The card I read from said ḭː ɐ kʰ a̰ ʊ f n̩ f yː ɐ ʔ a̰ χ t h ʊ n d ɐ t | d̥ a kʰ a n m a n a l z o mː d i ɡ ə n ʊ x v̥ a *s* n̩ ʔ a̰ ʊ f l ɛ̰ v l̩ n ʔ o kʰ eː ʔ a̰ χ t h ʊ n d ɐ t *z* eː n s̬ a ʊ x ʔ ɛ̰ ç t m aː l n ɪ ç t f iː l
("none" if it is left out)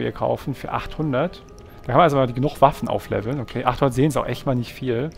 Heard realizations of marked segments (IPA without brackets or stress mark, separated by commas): f, z